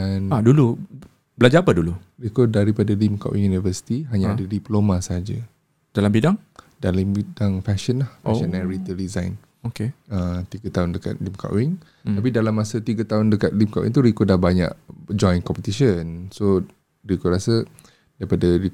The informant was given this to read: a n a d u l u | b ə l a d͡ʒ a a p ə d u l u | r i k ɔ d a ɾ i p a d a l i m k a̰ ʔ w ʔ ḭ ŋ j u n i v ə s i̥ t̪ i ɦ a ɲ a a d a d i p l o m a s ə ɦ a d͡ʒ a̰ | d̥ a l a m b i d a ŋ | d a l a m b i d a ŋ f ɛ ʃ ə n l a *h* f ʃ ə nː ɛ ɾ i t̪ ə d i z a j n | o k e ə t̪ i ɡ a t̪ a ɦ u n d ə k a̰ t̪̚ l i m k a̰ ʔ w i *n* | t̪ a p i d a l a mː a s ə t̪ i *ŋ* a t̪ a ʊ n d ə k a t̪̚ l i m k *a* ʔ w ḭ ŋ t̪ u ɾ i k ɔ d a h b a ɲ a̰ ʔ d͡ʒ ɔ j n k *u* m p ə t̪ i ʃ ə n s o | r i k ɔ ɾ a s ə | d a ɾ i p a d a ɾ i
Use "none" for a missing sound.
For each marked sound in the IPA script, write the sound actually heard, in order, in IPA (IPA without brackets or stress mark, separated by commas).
h, ŋ, ɡ, a, ɔ